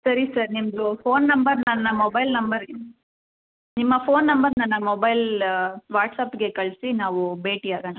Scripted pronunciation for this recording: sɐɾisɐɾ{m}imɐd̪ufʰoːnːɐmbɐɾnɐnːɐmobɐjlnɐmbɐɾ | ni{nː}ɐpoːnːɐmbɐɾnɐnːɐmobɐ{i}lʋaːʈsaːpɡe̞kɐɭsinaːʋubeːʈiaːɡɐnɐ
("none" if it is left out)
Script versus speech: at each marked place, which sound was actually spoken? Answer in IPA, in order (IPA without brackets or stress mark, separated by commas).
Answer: n, mː, j